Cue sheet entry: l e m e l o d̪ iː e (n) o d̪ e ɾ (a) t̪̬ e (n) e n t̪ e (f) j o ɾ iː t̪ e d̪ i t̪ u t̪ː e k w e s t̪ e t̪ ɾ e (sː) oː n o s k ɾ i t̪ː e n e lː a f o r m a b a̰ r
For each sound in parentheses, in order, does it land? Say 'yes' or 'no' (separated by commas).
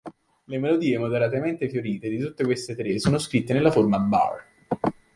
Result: no, yes, no, yes, no